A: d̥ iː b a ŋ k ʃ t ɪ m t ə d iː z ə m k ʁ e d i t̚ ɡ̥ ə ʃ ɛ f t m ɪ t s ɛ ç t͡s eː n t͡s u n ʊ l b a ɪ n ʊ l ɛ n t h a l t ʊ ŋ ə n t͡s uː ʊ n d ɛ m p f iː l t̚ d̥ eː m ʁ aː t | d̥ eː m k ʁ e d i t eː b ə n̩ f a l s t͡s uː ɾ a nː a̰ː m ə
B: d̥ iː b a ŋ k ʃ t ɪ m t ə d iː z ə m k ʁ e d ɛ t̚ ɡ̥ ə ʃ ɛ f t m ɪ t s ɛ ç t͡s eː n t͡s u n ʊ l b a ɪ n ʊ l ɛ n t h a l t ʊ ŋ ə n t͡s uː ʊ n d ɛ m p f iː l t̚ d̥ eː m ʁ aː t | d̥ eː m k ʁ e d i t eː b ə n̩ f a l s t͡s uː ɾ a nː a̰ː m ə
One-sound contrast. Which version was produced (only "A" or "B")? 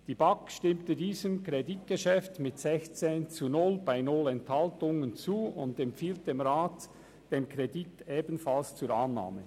A